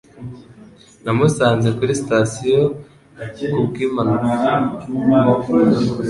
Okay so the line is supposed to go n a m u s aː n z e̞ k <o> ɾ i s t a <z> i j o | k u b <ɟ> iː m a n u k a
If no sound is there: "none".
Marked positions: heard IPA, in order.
u, s, ɡ

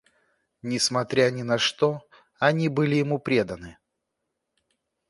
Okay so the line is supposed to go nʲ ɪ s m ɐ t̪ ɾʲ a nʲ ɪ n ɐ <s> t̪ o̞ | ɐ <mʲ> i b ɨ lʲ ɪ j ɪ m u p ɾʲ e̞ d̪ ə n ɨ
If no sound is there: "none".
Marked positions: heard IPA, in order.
ʂ, nʲ

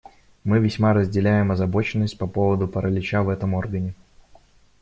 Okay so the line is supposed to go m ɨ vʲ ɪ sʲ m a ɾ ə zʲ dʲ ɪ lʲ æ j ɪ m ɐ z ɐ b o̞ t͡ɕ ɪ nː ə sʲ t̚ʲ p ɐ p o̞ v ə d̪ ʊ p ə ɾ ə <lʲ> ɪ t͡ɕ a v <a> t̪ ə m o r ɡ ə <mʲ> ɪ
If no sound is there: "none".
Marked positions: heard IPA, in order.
lʲ, ɛ, nʲ

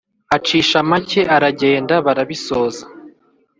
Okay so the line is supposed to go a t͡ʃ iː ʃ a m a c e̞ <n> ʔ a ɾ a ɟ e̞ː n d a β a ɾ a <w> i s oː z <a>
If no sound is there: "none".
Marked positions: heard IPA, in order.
none, β, a

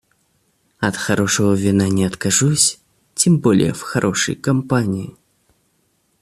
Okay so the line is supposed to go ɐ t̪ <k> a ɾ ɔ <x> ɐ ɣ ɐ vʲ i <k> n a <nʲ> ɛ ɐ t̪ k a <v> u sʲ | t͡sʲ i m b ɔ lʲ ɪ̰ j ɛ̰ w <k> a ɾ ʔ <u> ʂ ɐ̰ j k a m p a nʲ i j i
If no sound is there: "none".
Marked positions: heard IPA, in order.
x, ʂ, none, nʲ, ʐ, x, ɔ

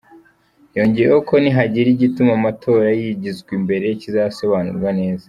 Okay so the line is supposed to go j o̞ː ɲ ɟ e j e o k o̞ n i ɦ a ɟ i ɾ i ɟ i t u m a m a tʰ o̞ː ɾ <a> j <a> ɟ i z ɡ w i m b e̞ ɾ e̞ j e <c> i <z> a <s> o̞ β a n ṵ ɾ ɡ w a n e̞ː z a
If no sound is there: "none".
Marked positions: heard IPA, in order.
a, i, c, z, s

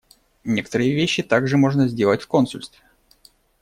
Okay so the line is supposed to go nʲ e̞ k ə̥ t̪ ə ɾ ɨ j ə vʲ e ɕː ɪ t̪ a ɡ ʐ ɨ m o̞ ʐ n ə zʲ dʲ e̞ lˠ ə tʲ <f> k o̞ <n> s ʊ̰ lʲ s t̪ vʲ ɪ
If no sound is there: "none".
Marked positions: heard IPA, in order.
f, n

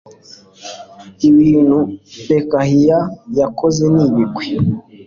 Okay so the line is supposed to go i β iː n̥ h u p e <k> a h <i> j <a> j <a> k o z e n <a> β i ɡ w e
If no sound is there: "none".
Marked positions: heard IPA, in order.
k, i, a, a, i

